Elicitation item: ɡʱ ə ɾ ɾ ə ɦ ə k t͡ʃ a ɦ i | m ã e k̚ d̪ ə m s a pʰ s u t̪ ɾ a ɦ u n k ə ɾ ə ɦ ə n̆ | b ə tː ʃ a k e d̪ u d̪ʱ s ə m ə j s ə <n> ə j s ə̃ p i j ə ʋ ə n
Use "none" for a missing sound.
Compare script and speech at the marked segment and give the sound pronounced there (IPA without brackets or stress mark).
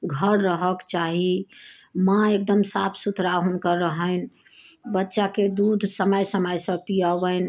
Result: m